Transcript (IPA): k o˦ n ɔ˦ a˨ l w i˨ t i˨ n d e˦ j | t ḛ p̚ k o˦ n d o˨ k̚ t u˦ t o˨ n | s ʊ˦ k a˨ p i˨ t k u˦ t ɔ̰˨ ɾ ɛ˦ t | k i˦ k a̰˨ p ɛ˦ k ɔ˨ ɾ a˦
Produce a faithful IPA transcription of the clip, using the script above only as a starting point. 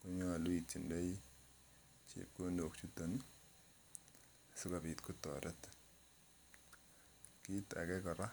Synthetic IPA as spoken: k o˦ ɲ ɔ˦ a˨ l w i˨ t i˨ n d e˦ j | t͡ʃ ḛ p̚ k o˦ n d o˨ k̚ t͡ʃ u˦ t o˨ n | s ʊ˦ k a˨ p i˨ t k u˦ t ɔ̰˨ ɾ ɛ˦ t | k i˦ t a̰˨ k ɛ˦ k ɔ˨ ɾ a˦